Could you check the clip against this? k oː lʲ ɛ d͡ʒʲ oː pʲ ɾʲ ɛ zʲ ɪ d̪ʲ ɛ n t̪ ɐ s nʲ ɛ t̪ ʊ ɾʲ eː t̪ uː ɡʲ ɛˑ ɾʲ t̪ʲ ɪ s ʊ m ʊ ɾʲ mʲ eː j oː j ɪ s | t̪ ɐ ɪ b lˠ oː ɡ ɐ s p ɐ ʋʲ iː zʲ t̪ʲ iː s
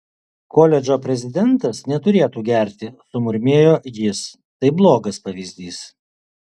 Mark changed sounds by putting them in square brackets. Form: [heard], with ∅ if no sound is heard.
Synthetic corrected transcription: k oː lʲ ɛ d͡ʒʲ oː pʲ ɾʲ ɛ zʲ ɪ d̪ʲ ɛ n t̪ ɐ s nʲ ɛ t̪ ʊ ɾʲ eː t̪ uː ɡʲ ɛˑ ɾʲ t̪ʲ ɪ s ʊ m ʊ ɾʲ mʲ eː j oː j ɪ s | t̪ ɐ ɪ b lˠ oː ɡ ɐ s p ɐ ʋʲ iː zʲ [d̪ʲ] iː s

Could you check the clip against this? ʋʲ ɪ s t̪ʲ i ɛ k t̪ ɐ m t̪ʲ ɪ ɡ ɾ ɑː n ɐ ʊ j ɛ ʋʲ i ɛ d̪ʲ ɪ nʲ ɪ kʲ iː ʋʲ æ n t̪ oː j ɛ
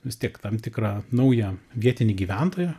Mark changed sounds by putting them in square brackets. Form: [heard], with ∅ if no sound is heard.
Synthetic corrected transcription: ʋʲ ɪ s t̪ʲ i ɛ k t̪ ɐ m t̪ʲ ɪ [k] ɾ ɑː n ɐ ʊ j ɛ ʋʲ i ɛ [t̪ʲ] ɪ nʲ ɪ [ɡʲ] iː ʋʲ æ n t̪ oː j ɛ

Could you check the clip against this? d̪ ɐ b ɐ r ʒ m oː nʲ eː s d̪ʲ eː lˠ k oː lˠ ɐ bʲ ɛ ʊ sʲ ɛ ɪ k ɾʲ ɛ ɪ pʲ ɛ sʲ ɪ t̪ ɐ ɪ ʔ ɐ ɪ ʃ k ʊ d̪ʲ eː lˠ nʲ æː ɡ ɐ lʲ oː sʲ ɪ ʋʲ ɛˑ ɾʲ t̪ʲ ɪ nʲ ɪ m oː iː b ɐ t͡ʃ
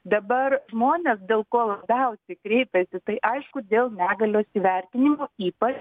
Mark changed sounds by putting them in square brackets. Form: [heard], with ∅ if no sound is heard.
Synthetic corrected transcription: d̪ ɐ b ɐ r ʒ m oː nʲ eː s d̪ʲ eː lˠ k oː lˠ ɐ bʲ ɛ ʊ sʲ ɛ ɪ k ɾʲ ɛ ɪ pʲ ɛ sʲ ɪ t̪ ɐ ɪ ʔ ɐ ɪ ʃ k ʊ d̪ʲ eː lˠ nʲ æː ɡ ɐ lʲ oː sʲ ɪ ʋʲ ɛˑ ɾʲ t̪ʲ ɪ nʲ ɪ m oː iː [p] ɐ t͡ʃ

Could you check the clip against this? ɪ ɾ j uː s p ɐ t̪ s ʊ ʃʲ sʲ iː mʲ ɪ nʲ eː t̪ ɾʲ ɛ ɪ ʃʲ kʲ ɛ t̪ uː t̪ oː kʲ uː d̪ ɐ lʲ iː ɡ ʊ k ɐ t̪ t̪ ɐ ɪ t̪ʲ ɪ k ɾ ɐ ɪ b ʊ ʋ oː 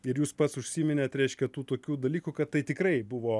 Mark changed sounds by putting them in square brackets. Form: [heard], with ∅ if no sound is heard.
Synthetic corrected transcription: ɪ ɾ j uː s p ɐ t̪ s ʊ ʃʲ sʲ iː mʲ ɪ nʲ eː t̪ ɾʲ ɛ ɪ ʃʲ kʲ ɛ t̪ uː t̪ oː kʲ uː d̪ ɐ lʲ iː [k] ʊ k ɐ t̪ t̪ ɐ ɪ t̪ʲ ɪ k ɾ ɐ ɪ b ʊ ʋ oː

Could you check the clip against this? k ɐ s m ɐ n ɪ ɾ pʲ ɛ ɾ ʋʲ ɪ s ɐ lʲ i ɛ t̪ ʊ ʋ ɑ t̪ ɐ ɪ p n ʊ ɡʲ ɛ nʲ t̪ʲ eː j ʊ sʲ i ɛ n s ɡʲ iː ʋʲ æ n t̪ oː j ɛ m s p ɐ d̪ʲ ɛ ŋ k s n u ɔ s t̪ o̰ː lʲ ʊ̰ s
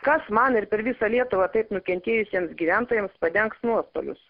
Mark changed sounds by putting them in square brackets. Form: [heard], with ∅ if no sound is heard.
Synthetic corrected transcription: k ɐ s m ɐ n ɪ ɾ pʲ ɛ ɾ ʋʲ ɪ s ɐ lʲ i ɛ t̪ ʊ ʋ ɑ t̪ ɐ ɪ p n ʊ [kʲ] ɛ nʲ t̪ʲ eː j ʊ sʲ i ɛ [m] s ɡʲ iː ʋʲ æ n t̪ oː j ɛ m s p ɐ d̪ʲ ɛ ŋ k s n u ɔ s t̪ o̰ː lʲ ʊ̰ s

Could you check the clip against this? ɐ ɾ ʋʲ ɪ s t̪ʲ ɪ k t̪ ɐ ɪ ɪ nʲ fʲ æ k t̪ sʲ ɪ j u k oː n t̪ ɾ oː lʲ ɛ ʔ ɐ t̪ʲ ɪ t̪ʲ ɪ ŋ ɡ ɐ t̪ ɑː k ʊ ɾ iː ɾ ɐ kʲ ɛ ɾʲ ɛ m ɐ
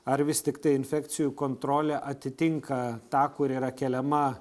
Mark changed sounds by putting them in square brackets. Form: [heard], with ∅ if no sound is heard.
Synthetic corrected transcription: ɐ ɾ ʋʲ ɪ s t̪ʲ ɪ k t̪ ɐ ɪ ɪ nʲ fʲ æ k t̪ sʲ ɪ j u k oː n t̪ ɾ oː lʲ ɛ ʔ ɐ t̪ʲ ɪ t̪ʲ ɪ ŋ [k] ɐ t̪ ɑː k ʊ ɾ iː ɾ ɐ kʲ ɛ [lʲ] ɛ m ɐ

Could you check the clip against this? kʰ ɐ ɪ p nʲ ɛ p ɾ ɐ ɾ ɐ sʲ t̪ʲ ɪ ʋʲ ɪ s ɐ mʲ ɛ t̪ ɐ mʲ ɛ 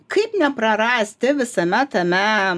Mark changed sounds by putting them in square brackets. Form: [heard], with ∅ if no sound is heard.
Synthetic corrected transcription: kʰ ɐ ɪ p nʲ ɛ p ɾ ɐ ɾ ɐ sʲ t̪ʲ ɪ ʋʲ ɪ s ɐ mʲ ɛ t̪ ɐ mʲ ɛ

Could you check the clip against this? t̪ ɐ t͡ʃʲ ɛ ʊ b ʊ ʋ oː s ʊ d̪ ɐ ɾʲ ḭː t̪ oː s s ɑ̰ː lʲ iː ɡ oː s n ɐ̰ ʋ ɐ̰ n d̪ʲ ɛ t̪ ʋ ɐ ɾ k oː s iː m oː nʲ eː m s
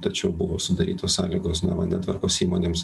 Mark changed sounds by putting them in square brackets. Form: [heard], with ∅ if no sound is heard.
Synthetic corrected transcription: t̪ ɐ t͡ʃʲ ɛ ʊ b ʊ ʋ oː s ʊ d̪ ɐ ɾʲ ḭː t̪ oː s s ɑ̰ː lʲ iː ɡ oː s n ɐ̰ ʋ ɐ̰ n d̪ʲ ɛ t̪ ʋ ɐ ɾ k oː s iː m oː nʲ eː m s

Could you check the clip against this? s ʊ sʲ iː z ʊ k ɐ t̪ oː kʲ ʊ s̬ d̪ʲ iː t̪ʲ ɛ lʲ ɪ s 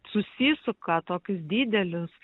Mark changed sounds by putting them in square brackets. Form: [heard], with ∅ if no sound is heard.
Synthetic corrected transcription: s ʊ sʲ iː [s] ʊ k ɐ t̪ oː kʲ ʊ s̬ d̪ʲ iː [d̪ʲ] ɛ lʲ ɪ s

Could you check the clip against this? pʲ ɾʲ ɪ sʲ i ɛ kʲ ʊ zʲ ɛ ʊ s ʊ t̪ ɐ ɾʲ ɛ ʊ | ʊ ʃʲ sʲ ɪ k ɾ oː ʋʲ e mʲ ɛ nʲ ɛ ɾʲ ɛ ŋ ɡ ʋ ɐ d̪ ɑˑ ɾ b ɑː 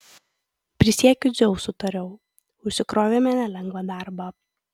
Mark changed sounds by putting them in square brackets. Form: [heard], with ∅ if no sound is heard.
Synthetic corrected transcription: pʲ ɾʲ ɪ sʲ i ɛ kʲ ʊ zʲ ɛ ʊ s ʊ t̪ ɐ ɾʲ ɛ ʊ | ʊ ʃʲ sʲ ɪ k ɾ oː ʋʲ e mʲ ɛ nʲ ɛ [lʲ] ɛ ŋ ɡ ʋ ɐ d̪ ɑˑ ɾ b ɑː

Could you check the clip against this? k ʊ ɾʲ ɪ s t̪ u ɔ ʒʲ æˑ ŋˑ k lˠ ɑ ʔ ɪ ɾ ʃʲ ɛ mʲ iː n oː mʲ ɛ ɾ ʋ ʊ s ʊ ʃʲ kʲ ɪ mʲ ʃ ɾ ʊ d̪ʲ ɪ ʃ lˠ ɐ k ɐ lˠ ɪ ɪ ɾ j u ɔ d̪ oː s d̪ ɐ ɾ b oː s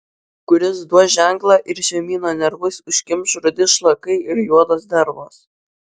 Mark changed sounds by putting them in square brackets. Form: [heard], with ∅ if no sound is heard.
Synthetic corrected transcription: k ʊ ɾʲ ɪ s [d̪] u ɔ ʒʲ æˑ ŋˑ k lˠ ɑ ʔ ɪ ɾ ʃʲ ɛ mʲ iː n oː [nʲ] ɛ ɾ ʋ ʊ s ʊ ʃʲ kʲ ɪ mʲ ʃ ɾ ʊ d̪ʲ ɪ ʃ lˠ ɐ k ɐ [∅] ɪ ɪ ɾ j u ɔ d̪ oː s d̪ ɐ ɾ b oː s

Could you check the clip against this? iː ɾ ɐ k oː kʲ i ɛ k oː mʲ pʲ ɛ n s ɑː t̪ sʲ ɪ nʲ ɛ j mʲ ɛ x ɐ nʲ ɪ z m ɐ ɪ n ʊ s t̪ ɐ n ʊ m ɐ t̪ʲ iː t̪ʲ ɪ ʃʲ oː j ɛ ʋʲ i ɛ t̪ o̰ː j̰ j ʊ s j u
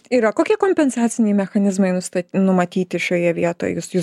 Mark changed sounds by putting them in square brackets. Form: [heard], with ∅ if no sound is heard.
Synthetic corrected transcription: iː ɾ ɐ k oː kʲ i ɛ k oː mʲ pʲ ɛ n s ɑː t̪ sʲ ɪ nʲ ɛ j mʲ ɛ x ɐ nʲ ɪ z m ɐ ɪ n ʊ s t̪ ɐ n ʊ m ɐ t̪ʲ iː t̪ʲ ɪ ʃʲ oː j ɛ ʋʲ i ɛ t̪ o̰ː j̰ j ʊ s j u

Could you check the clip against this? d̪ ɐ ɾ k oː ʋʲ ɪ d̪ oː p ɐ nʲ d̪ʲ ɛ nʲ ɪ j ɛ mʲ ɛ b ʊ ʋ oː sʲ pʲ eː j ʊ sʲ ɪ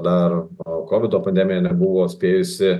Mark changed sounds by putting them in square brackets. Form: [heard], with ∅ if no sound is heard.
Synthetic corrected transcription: d̪ ɐ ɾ k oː ʋʲ ɪ d̪ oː p ɐ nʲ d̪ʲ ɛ [mʲ] ɪ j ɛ [nʲ] ɛ b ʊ ʋ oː sʲ pʲ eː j ʊ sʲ ɪ

